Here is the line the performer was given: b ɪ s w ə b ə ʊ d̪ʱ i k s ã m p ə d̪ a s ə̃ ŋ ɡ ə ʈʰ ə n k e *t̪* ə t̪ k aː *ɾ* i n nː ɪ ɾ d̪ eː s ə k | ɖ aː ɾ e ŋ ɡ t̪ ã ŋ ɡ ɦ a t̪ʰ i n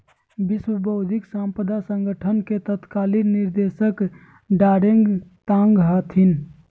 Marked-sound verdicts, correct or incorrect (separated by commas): correct, incorrect